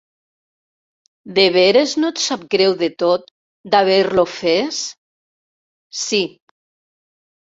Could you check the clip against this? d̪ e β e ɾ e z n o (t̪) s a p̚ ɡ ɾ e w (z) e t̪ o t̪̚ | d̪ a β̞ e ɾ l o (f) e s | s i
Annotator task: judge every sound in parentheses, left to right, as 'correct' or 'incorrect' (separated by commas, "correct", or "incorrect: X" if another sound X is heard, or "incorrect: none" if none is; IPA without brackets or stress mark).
correct, incorrect: ð, correct